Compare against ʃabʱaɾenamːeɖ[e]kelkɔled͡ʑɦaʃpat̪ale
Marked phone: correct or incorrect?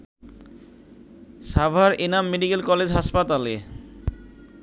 incorrect